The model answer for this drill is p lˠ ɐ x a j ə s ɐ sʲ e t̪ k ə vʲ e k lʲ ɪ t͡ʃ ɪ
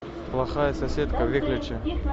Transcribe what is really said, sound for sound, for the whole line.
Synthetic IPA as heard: p lˠ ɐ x a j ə s ɐ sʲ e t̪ k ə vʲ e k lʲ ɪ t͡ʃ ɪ